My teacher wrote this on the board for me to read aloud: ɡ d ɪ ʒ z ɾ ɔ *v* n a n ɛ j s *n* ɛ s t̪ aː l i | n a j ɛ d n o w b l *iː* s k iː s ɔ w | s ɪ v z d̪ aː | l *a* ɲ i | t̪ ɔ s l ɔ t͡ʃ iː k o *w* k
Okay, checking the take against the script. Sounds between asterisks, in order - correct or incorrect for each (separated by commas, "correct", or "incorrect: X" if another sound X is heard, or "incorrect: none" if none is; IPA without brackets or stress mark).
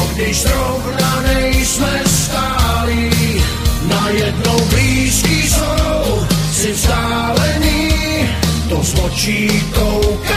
correct, incorrect: m, correct, incorrect: ɛ, correct